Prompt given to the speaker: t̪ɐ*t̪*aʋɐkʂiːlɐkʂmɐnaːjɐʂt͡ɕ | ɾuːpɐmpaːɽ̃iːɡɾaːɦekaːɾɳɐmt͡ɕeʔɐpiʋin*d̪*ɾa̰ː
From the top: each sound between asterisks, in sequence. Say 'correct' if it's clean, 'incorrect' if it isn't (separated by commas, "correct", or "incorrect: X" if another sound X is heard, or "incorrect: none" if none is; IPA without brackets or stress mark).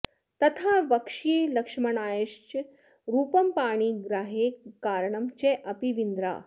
incorrect: t̪ʰ, correct